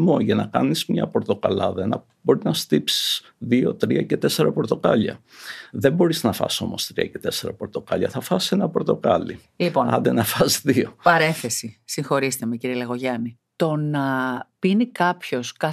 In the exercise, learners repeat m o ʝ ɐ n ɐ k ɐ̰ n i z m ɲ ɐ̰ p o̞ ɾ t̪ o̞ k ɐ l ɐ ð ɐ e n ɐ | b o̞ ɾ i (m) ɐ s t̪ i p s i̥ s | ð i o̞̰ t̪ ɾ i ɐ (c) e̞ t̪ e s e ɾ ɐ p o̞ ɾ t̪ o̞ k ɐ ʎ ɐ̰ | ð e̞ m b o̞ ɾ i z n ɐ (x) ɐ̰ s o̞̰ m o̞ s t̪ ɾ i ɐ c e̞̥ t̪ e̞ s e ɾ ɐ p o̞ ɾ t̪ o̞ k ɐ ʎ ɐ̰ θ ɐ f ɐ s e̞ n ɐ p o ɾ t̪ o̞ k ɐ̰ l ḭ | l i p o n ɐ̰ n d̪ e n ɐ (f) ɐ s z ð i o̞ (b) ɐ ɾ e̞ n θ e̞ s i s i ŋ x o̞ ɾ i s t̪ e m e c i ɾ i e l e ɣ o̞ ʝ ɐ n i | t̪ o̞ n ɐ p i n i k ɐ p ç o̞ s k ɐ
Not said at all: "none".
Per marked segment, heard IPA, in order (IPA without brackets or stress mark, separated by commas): n, c, f, f, p